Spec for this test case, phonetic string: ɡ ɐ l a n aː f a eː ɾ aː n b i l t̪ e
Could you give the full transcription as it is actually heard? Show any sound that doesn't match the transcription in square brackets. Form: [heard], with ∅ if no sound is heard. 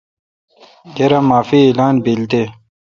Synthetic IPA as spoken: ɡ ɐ [ɾ] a [m] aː f [i] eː [l] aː n b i l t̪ e